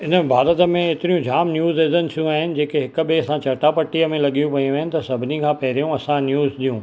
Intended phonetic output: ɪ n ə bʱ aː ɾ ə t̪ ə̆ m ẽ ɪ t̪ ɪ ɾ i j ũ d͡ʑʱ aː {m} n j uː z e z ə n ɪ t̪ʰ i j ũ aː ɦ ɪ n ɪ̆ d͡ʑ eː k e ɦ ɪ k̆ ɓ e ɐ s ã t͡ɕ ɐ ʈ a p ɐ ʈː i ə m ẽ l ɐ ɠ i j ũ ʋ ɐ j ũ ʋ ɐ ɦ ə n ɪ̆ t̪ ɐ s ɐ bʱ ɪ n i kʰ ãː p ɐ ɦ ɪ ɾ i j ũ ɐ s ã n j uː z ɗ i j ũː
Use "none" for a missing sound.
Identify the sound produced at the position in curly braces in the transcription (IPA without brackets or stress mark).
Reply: m